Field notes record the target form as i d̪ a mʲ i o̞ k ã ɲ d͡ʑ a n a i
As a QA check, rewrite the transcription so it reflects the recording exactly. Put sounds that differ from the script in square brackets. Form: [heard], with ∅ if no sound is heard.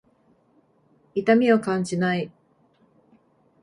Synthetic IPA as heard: i [t̪] a mʲ i o̞ k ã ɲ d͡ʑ [i] n a i